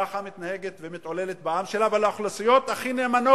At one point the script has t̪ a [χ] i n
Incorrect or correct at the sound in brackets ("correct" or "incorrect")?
correct